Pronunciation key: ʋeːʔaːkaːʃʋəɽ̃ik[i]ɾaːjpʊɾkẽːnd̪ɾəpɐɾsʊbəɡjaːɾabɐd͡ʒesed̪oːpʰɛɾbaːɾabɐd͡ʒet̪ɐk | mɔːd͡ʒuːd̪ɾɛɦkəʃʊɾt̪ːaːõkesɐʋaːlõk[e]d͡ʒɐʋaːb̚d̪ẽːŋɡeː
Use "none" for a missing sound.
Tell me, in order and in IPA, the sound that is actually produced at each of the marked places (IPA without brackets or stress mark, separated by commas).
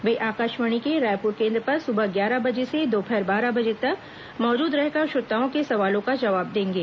e, a